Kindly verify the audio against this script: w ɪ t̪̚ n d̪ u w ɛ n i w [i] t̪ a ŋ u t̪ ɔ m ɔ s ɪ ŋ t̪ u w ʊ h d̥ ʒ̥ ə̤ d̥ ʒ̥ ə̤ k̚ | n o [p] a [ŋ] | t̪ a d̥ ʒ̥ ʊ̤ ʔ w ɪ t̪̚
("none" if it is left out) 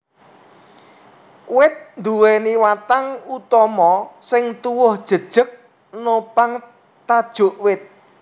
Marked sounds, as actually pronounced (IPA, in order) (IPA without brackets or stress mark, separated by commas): a, p, ŋ